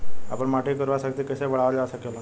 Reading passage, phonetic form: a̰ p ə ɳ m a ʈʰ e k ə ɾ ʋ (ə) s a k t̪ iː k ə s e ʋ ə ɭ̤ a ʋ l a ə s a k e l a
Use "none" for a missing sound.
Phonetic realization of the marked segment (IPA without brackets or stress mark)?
a